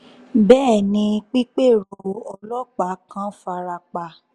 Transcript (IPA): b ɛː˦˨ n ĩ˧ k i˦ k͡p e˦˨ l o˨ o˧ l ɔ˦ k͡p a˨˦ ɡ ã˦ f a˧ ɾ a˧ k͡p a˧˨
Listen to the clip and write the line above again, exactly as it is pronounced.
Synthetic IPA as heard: b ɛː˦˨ n ĩ˧ k͡p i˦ k͡p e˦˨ ɾ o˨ ɔ˧ l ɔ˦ k͡p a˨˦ k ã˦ f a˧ ɾ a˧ k͡p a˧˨